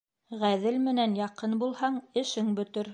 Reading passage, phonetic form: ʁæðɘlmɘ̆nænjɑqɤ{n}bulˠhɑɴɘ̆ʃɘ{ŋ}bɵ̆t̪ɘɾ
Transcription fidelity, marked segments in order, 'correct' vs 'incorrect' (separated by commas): correct, correct